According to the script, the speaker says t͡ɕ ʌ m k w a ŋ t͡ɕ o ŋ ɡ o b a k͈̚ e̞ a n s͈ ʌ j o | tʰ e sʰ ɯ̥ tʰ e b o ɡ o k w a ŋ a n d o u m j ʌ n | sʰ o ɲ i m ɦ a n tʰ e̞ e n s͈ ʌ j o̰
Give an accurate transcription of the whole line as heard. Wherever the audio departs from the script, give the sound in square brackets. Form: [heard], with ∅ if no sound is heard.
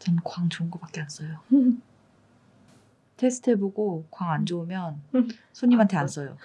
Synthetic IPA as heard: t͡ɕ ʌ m k w a ŋ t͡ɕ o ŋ ɡ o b a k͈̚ e̞ a n s͈ ʌ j o | tʰ e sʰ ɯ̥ tʰ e b o ɡ o k w a ŋ a n [d͡ʑ] o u m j ʌ n | sʰ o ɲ i m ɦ a n tʰ e̞ [a] n s͈ ʌ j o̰